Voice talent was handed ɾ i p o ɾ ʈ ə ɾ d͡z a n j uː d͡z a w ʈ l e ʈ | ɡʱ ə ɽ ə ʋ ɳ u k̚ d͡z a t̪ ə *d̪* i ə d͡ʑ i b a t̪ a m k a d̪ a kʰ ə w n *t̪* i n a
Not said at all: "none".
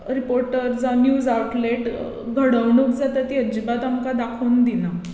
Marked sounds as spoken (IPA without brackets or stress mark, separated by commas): t̪, d̪